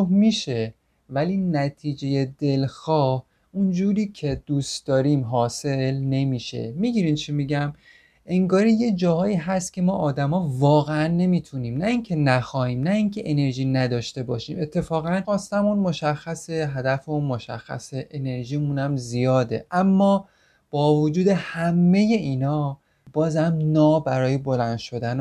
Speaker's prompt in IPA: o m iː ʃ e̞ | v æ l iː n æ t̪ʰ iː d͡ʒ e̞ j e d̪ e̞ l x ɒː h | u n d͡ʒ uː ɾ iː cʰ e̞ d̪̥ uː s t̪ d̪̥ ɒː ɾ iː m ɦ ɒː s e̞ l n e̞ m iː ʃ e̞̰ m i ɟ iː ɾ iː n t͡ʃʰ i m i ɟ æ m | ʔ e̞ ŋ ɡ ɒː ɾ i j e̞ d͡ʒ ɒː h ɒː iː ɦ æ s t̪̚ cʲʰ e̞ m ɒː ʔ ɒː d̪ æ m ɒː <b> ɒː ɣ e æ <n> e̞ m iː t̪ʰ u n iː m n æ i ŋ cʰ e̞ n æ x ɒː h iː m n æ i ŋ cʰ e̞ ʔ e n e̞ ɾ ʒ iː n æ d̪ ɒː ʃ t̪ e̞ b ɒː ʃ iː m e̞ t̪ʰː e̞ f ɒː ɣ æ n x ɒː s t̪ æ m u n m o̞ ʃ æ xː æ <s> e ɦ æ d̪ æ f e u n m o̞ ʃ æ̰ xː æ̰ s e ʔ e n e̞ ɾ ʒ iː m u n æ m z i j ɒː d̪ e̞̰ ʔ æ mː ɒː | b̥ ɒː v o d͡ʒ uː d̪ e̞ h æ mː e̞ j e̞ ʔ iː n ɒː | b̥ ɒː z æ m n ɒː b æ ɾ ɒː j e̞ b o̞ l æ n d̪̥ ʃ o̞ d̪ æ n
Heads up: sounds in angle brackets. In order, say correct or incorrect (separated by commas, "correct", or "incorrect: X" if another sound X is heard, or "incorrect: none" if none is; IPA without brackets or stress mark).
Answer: incorrect: v, incorrect: nː, correct